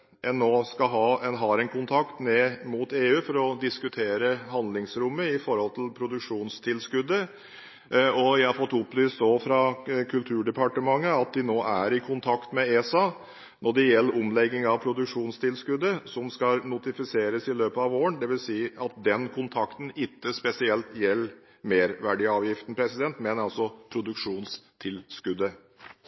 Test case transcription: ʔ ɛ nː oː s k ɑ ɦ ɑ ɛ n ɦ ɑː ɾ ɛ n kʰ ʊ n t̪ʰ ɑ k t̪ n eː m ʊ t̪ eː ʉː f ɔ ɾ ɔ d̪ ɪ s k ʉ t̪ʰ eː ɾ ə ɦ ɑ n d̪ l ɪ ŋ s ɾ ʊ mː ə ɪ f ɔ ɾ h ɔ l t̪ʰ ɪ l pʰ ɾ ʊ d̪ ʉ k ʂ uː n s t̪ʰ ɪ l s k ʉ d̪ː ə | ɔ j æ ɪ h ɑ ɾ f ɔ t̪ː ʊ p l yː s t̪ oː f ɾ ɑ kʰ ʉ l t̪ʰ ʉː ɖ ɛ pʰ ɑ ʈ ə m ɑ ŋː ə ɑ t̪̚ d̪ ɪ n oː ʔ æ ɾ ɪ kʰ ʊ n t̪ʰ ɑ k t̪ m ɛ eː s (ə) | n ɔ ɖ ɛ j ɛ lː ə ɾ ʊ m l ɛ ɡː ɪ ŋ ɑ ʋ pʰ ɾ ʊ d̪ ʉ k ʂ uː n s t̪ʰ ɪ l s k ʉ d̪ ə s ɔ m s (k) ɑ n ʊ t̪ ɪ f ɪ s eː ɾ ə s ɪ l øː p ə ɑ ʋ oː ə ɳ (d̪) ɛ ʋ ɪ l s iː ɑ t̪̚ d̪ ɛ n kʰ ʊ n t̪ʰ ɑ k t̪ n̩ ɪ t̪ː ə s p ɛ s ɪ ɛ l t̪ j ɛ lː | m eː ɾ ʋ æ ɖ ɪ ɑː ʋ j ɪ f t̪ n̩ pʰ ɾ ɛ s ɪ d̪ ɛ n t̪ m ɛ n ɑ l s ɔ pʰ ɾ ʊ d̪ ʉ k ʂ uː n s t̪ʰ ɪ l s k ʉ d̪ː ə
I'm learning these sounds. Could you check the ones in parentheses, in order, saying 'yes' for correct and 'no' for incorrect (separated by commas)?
no, yes, yes